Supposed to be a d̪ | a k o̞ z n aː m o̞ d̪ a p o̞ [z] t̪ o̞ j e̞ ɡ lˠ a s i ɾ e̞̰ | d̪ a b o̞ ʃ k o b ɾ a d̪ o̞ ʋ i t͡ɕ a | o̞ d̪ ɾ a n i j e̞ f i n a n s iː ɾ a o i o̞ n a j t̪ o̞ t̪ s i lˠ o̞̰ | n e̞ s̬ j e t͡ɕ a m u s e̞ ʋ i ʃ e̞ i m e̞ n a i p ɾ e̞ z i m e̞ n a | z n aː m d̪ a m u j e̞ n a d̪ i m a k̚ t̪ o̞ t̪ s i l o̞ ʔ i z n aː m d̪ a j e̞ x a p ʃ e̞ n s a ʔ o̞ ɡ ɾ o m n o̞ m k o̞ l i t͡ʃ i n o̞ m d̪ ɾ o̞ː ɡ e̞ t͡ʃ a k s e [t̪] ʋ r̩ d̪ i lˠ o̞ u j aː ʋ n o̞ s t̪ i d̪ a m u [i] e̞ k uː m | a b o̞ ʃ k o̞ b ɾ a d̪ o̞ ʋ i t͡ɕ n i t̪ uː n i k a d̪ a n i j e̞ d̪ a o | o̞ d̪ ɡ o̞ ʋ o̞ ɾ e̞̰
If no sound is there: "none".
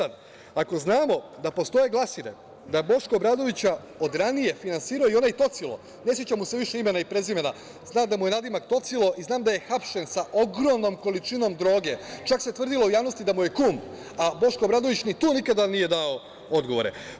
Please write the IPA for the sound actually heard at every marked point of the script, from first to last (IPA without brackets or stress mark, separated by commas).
s, t̪, j